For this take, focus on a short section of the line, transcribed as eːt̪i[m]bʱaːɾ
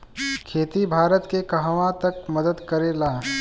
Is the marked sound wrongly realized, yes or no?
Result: yes